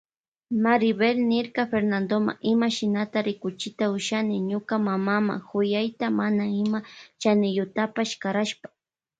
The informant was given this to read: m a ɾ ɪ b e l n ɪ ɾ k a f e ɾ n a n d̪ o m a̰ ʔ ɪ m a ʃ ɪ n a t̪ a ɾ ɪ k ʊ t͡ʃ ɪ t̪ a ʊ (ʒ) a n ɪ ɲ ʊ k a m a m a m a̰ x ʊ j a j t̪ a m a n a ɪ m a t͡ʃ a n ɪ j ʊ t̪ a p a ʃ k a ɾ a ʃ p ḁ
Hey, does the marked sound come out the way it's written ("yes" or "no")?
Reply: no